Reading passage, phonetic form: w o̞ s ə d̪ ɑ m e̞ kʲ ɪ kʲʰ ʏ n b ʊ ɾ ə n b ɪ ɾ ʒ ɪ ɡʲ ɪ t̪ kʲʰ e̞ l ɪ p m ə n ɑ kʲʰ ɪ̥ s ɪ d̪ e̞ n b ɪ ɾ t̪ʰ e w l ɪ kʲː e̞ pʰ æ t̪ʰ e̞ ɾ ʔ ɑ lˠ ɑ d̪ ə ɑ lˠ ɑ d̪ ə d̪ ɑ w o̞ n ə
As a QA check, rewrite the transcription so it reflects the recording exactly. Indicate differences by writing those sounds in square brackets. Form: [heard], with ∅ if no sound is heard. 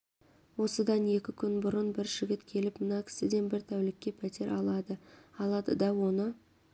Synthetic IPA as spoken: w o̞ s ə d̪ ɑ [n] e̞ kʲ ɪ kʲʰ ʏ n b ʊ ɾ ə n b ɪ ɾ ʒ ɪ ɡʲ ɪ t̪ kʲʰ e̞ l ɪ p m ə n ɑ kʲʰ ɪ̥ s ɪ d̪ e̞ n b ɪ ɾ t̪ʰ [æ] w l ɪ kʲː e̞ pʰ æ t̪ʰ e̞ ɾ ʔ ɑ lˠ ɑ d̪ ə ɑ lˠ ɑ d̪ ə d̪ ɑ w o̞ n ə